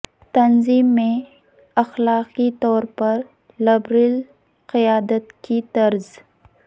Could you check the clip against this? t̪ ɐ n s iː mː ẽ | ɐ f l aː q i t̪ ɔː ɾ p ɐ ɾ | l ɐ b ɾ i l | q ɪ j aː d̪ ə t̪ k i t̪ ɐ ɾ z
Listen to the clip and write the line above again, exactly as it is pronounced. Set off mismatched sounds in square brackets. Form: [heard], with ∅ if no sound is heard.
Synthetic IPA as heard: t̪ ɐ n [z] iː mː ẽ | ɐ [x] l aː q i t̪ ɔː ɾ p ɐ ɾ | l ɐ b ɾ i l | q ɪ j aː d̪ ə t̪ k i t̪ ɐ ɾ z